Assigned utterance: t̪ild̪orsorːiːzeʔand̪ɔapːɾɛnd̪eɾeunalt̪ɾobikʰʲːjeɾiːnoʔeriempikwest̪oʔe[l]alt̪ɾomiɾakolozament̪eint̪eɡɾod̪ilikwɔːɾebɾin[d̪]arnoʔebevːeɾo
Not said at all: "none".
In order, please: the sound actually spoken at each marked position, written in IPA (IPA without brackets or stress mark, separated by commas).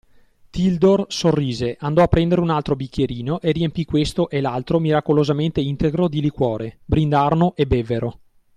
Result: l, d̪